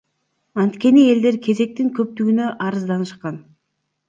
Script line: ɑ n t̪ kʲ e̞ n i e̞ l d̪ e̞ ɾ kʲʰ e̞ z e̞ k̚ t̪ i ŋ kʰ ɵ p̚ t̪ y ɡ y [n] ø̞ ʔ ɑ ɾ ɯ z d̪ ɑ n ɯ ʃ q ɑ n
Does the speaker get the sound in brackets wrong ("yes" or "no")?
no